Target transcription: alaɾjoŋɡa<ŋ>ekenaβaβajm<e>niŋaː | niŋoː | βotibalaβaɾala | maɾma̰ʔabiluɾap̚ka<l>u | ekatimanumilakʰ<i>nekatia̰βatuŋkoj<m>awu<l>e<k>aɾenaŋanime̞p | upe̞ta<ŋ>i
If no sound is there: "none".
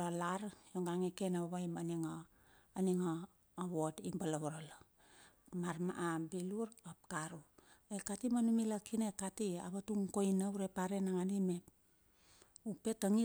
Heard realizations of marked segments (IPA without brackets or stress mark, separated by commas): ŋ, a, ɾ, i, n, ɾ, p, ŋ